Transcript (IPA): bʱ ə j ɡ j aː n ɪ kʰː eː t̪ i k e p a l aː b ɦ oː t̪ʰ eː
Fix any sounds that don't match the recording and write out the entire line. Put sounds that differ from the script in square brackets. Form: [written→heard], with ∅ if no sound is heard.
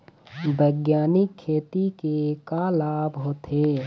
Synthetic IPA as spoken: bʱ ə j ɡ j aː n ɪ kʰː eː t̪ i k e [p→k] a l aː b ɦ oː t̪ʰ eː